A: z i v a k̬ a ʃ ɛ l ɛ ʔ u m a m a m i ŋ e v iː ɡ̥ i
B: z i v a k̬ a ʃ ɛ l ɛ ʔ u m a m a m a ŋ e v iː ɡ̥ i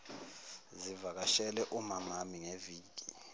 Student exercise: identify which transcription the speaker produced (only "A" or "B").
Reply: A